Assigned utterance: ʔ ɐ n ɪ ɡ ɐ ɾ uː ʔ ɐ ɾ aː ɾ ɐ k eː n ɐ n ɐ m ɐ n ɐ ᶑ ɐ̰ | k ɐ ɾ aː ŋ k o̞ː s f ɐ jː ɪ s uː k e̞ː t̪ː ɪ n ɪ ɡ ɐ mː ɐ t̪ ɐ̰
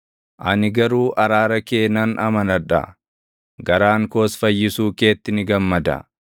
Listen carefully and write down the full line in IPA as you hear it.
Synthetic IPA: ʔ ɐ n ɪ ɡ ɐ ɾ uː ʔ ɐ ɾ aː ɾ ɐ k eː n ɐ n ɐ m ɐ n ɐ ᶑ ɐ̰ | ɡ ɐ ɾ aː ŋ k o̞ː s f ɐ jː ɪ s uː k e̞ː t̪ː ɪ n ɪ ɡ ɐ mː ɐ d̪ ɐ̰